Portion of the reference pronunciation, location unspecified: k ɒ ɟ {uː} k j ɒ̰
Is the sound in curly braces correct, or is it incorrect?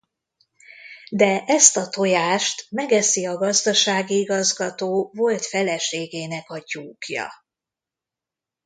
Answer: correct